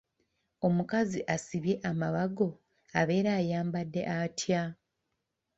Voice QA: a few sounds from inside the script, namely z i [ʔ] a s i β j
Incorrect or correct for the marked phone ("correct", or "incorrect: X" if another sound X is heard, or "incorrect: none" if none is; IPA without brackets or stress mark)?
correct